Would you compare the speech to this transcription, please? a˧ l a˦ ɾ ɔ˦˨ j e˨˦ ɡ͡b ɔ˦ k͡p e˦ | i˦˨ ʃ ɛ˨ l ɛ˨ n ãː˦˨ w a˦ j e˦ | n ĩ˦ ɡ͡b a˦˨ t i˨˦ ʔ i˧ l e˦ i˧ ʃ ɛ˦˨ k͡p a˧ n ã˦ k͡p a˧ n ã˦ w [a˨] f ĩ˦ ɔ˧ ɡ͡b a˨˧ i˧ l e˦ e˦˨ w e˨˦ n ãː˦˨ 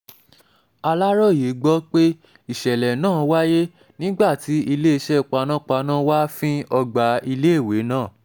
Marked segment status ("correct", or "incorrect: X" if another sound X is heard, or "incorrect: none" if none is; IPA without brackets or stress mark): incorrect: a˦